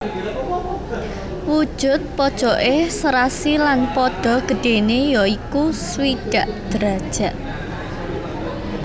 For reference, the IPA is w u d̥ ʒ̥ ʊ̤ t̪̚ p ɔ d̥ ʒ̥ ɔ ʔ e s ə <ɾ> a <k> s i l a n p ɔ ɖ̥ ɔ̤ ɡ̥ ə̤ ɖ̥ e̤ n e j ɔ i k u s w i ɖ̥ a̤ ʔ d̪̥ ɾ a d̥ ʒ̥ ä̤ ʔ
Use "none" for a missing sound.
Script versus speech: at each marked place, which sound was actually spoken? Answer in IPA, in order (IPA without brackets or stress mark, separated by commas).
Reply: ɾ, none